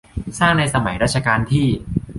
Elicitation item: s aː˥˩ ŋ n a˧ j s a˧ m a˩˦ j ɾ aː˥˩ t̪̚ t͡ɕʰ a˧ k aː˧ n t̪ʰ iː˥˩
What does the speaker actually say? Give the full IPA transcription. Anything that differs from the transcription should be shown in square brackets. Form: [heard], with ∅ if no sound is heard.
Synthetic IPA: s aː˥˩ ŋ n a˧ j s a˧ m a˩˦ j ɾ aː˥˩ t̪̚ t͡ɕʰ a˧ k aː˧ n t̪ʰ iː˥˩